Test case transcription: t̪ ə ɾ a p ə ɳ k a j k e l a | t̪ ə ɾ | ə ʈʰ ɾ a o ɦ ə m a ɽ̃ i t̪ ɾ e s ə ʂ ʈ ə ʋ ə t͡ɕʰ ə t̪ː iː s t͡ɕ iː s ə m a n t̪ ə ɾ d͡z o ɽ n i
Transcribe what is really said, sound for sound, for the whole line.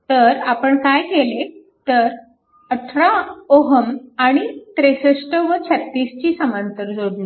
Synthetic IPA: t̪ ə ɾ a p ə ɳ k a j k e l e | t̪ ə ɾ | ə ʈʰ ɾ a o ɦ ə m a ɽ̃ i t̪ ɾ e s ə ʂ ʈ ə ʋ ə t͡ɕʰ ə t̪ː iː s t͡ɕ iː s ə m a n t̪ ə ɾ d͡z o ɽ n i